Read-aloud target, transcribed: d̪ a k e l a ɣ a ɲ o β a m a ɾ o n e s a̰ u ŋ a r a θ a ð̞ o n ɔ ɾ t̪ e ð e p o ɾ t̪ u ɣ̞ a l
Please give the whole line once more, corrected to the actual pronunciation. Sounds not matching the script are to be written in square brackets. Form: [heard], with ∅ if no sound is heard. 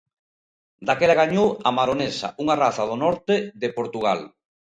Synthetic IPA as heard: d̪ a k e l a ɣ a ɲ o [w] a m a ɾ o n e s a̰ u ŋ a r a θ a ð̞ o n ɔ ɾ t̪ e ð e p o ɾ t̪ u ɣ̞ a l

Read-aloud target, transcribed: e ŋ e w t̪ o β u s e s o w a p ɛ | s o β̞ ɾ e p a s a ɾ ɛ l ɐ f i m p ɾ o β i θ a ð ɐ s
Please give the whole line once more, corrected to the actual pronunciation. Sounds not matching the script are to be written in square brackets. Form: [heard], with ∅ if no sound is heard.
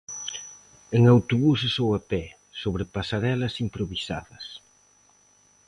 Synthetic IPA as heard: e ŋ [a] w t̪ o β u s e s o w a p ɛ | s o β̞ ɾ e p a s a ɾ ɛ l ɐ [s] i m p ɾ o β i [s] a ð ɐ s

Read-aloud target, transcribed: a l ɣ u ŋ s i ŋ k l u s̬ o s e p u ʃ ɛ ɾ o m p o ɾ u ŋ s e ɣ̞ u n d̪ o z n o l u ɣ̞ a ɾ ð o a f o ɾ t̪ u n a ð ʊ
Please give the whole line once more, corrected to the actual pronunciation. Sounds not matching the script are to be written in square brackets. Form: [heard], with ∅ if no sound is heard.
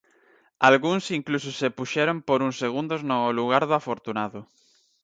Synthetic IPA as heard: a l ɣ u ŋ s i ŋ k l u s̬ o s e p u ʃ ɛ ɾ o m p o ɾ u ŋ s e ɣ̞ u n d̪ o z n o l u ɣ̞ a ɾ ð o a f o ɾ t̪ u n a ð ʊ

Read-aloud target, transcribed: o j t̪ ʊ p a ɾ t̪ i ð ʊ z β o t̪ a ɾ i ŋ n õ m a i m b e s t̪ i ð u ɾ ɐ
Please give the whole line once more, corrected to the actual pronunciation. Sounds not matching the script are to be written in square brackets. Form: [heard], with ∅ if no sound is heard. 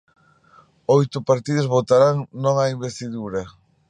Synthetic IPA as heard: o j t̪ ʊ p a ɾ t̪ i ð ʊ z β o t̪ a ɾ [a] ŋ n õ [ŋ] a i m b e s t̪ i ð u ɾ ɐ

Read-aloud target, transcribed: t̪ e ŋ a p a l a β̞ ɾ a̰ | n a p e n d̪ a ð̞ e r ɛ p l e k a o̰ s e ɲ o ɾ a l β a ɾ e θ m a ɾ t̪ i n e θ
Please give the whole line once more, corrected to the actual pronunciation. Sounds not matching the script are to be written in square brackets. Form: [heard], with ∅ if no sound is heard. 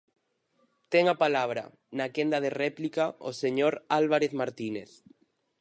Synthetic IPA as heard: t̪ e ŋ a p a l a β̞ ɾ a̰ | n a [k] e n d̪ a ð̞ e r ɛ p l [i] k a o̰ s e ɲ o ɾ a l β a ɾ e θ m a ɾ t̪ i n e θ

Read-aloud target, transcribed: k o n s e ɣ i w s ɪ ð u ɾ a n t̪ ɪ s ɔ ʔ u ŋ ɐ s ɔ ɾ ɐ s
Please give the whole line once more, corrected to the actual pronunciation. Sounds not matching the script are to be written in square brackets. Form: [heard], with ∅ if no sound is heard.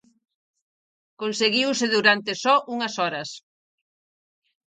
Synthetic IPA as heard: k o n s e ɣ i w s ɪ ð u ɾ a n t̪ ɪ s ɔ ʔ u ŋ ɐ s ɔ ɾ ɐ s

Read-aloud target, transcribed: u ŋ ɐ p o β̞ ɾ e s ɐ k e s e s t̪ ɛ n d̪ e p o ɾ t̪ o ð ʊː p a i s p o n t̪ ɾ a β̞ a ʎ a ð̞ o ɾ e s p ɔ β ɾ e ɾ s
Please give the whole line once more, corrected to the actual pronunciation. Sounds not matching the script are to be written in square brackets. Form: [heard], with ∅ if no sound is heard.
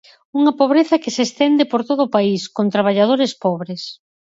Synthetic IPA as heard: u ŋ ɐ p o β̞ ɾ e [θ] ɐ k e s e s t̪ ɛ n d̪ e p o ɾ t̪ o ð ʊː p a i s [k] o n t̪ ɾ a β̞ a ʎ a ð̞ o ɾ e s p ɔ β ɾ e [∅] s

